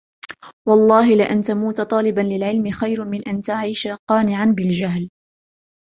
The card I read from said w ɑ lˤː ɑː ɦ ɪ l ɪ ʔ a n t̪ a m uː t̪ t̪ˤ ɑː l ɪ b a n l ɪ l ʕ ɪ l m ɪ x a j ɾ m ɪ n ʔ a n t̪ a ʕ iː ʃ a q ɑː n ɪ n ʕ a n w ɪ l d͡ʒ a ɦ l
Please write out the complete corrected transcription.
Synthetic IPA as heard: w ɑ lˤː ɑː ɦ ɪ l ɪ ʔ a n t̪ a m uː t̪ t̪ˤ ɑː l ɪ b a n l ɪ l ʕ ɪ l m ɪ x a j ɾ m ɪ n ʔ a n t̪ a ʕ iː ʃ a q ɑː n ɪ ʕ a n b ɪ l d͡ʒ a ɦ l